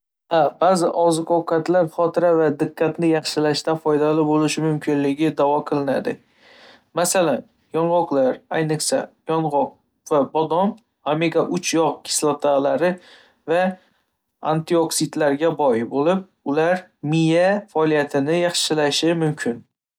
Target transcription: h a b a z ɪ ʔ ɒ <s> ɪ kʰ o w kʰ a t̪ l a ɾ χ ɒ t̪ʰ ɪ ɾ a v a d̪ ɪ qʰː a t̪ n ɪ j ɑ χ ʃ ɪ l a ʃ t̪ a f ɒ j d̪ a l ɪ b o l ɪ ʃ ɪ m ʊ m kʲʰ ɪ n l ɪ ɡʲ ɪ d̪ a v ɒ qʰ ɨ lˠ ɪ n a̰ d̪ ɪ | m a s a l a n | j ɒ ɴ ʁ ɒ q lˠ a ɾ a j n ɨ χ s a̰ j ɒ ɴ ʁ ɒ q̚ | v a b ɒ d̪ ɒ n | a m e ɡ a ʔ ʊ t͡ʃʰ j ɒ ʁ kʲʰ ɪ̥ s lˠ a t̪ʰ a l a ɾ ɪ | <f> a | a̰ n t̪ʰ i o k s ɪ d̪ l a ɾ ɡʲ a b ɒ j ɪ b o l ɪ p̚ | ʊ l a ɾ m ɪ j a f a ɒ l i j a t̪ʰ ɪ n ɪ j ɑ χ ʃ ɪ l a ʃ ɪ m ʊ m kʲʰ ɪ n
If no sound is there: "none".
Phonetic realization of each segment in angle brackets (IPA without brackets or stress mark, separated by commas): z, v